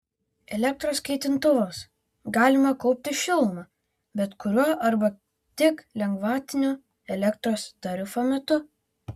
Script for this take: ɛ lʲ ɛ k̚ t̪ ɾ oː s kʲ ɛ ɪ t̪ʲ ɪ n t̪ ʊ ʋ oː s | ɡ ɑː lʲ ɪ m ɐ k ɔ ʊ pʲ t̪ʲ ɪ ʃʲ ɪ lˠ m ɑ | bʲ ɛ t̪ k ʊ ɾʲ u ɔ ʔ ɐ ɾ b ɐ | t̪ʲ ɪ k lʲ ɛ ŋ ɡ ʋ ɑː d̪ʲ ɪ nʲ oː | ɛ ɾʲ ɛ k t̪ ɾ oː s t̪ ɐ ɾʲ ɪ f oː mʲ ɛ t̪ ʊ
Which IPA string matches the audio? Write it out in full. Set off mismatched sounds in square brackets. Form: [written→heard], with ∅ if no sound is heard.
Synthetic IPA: ɛ lʲ ɛ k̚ t̪ ɾ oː s kʲ ɛ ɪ t̪ʲ ɪ n t̪ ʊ ʋ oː s | ɡ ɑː lʲ ɪ m ɐ k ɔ ʊ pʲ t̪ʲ ɪ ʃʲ ɪ lˠ m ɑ | bʲ ɛ t̪ k ʊ ɾʲ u ɔ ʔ ɐ ɾ b ɐ | t̪ʲ ɪ k lʲ ɛ ŋ ɡ ʋ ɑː [d̪ʲ→t̪ʲ] ɪ nʲ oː | ɛ [ɾʲ→lʲ] ɛ k t̪ ɾ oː s t̪ ɐ ɾʲ ɪ f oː mʲ ɛ t̪ ʊ

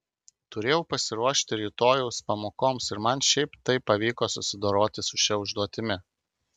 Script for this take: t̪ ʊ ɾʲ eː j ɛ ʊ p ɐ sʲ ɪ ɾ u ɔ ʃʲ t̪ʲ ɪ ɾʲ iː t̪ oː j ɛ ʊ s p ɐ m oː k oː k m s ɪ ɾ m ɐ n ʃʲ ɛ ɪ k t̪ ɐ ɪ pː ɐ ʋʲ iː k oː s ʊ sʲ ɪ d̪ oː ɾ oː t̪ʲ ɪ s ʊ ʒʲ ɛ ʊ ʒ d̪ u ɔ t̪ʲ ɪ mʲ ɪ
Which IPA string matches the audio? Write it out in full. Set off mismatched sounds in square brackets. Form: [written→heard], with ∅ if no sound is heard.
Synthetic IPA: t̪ ʊ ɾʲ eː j ɛ ʊ p ɐ sʲ ɪ ɾ u ɔ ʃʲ t̪ʲ ɪ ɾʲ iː t̪ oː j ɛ ʊ s p ɐ m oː k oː [k→∅] m s ɪ ɾ m ɐ n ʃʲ ɛ ɪ [k→p] t̪ ɐ ɪ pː ɐ ʋʲ iː k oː s ʊ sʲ ɪ d̪ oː ɾ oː t̪ʲ ɪ s ʊ [ʒʲ→ʃʲ] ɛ ʊ ʒ d̪ u ɔ t̪ʲ ɪ mʲ ɪ

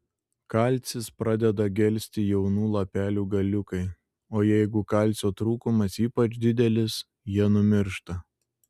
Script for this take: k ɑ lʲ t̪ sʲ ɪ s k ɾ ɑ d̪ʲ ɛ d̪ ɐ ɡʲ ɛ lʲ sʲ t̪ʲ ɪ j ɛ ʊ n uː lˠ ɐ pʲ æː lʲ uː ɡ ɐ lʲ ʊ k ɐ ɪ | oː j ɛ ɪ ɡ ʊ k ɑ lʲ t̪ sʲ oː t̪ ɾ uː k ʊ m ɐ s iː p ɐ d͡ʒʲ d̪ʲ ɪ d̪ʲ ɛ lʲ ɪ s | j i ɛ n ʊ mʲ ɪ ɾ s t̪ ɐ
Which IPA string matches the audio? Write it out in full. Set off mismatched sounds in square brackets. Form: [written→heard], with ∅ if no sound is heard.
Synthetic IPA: k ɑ lʲ t̪ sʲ ɪ s [k→p] ɾ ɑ d̪ʲ ɛ d̪ ɐ ɡʲ ɛ lʲ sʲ t̪ʲ ɪ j ɛ ʊ n uː lˠ ɐ pʲ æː lʲ uː ɡ ɐ lʲ ʊ k ɐ ɪ | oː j ɛ ɪ ɡ ʊ k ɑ lʲ t̪ sʲ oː t̪ ɾ uː k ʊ m ɐ s iː p ɐ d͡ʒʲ d̪ʲ ɪ d̪ʲ ɛ lʲ ɪ s | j i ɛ n ʊ mʲ ɪ ɾ [s→ʃ] t̪ ɐ

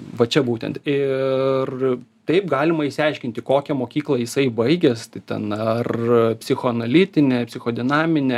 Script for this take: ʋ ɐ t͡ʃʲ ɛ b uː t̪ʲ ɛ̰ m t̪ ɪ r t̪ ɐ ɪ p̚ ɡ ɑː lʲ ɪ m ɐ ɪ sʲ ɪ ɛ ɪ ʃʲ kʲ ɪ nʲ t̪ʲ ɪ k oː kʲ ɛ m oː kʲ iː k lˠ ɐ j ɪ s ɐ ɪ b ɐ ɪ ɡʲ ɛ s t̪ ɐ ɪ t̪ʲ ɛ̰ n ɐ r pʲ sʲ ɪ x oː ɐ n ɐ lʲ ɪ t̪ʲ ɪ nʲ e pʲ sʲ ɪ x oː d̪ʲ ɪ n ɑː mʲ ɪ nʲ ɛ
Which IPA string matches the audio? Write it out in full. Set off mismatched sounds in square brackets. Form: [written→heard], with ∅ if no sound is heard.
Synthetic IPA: ʋ ɐ t͡ʃʲ ɛ b uː t̪ʲ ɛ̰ [m→n] t̪ ɪ r t̪ ɐ ɪ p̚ ɡ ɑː lʲ ɪ m ɐ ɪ sʲ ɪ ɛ ɪ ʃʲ kʲ ɪ nʲ t̪ʲ ɪ k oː kʲ ɛ m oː kʲ iː k lˠ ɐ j ɪ s ɐ ɪ b ɐ ɪ ɡʲ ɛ s t̪ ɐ ɪ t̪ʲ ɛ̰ n ɐ r pʲ sʲ ɪ x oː ɐ n ɐ lʲ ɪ t̪ʲ ɪ nʲ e pʲ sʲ ɪ x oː d̪ʲ ɪ n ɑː mʲ ɪ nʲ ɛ

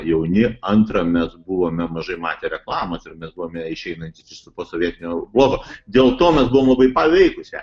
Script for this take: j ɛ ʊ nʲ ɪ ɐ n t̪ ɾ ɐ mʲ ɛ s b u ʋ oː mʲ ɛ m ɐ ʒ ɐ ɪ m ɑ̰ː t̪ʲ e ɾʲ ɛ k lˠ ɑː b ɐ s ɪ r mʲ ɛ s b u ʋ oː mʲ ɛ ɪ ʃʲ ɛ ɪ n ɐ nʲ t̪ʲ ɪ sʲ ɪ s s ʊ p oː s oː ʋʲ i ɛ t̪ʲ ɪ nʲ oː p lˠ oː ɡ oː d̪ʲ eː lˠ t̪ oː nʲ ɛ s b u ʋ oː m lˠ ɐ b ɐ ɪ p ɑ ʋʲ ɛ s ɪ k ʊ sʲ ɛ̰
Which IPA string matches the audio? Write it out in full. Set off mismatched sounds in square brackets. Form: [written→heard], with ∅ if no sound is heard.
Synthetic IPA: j ɛ ʊ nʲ ɪ ɐ n t̪ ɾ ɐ mʲ ɛ s b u ʋ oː mʲ ɛ m ɐ ʒ ɐ ɪ m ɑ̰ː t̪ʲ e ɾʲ ɛ k lˠ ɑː [b→m] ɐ s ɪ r mʲ ɛ s b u ʋ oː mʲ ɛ ɪ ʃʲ ɛ ɪ n ɐ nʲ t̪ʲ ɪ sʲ ɪ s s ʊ p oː s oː ʋʲ i ɛ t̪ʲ ɪ nʲ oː [p→b] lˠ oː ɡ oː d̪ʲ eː lˠ t̪ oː [nʲ→mʲ] ɛ s b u ʋ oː m lˠ ɐ b ɐ ɪ p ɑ ʋʲ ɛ [s→∅] ɪ k ʊ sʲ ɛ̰

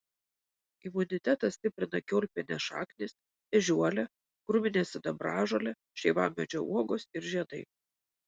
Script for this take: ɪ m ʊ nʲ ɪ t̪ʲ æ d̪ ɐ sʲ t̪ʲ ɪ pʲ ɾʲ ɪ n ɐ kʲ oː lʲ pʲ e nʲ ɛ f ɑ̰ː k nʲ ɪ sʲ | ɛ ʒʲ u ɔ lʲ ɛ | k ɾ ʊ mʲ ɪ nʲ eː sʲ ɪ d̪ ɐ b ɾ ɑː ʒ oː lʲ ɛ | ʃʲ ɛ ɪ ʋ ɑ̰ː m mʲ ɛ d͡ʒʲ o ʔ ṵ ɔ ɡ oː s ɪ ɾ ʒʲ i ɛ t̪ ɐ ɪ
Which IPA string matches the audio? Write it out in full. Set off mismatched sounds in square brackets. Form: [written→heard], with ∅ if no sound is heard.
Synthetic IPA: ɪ m ʊ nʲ ɪ t̪ʲ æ [d̪→t̪] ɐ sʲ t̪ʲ ɪ pʲ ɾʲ ɪ n ɐ kʲ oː lʲ pʲ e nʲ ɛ [f→ʃ] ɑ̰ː k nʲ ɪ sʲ | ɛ ʒʲ u ɔ lʲ ɛ | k ɾ ʊ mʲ ɪ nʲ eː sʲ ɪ d̪ ɐ b ɾ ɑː ʒ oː lʲ ɛ | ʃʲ ɛ ɪ ʋ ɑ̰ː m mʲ ɛ d͡ʒʲ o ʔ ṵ ɔ ɡ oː s ɪ ɾ ʒʲ i ɛ [t̪→d̪] ɐ ɪ

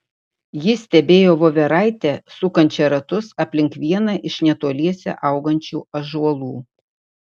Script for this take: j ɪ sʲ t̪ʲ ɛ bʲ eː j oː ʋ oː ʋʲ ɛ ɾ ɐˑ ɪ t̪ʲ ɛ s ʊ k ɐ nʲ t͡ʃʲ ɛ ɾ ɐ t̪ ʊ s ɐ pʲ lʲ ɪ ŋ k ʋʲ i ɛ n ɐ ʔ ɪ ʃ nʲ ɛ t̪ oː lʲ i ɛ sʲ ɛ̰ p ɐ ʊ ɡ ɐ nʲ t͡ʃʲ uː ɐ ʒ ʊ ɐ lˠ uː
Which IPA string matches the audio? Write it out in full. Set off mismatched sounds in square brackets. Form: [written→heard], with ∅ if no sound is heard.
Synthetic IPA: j ɪ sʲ t̪ʲ ɛ bʲ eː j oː ʋ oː ʋʲ ɛ ɾ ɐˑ ɪ t̪ʲ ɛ s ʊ k ɐ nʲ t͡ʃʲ ɛ ɾ ɐ t̪ ʊ s ɐ pʲ lʲ ɪ ŋ k ʋʲ i ɛ n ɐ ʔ ɪ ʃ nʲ ɛ t̪ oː lʲ i ɛ sʲ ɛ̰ [p→ʔ] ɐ ʊ ɡ ɐ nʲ t͡ʃʲ uː ɐ ʒ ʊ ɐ lˠ uː

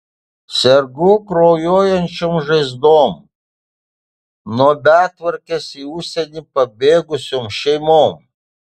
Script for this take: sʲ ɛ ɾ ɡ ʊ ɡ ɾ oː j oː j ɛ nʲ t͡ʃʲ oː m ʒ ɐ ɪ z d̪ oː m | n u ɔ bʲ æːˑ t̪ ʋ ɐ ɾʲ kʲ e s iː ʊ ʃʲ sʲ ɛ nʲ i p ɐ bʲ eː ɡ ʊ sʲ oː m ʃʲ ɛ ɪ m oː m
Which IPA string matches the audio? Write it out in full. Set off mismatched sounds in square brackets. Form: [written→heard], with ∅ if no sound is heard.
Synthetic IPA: sʲ ɛ ɾ ɡ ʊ [ɡ→k] ɾ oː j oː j ɛ nʲ t͡ʃʲ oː m ʒ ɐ ɪ z d̪ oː m | n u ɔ bʲ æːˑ t̪ ʋ ɐ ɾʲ kʲ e s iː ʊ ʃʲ sʲ ɛ nʲ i p ɐ bʲ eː ɡ ʊ sʲ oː m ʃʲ ɛ ɪ m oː m

